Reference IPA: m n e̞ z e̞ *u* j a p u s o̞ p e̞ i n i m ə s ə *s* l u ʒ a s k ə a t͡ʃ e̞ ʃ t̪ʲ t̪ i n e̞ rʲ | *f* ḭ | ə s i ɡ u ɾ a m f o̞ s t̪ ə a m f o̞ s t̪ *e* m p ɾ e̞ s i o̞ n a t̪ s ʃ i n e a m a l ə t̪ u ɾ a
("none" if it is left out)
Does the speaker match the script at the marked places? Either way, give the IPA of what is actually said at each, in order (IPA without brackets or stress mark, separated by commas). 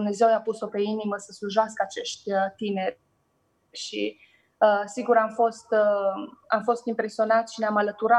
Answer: w, s, ʃ, i